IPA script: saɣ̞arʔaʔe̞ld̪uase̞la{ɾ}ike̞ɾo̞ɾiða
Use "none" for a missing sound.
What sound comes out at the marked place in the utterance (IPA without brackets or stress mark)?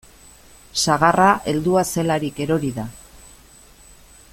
ɾ